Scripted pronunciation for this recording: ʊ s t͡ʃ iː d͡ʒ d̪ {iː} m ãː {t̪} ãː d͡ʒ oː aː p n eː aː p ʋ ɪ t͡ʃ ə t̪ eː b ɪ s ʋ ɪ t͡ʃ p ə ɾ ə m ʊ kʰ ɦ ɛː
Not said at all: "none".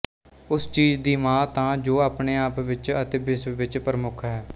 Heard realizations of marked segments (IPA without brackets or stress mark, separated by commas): iː, t̪